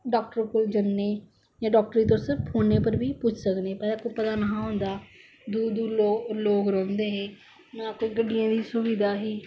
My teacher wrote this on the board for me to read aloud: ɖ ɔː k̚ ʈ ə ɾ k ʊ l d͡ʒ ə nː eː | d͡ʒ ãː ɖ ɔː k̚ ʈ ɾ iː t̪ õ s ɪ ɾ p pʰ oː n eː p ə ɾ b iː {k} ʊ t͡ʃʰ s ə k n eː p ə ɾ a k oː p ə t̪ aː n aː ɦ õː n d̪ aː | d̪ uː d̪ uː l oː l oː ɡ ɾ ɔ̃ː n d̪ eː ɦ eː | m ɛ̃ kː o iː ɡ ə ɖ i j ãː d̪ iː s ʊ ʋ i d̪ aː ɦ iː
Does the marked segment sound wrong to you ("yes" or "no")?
yes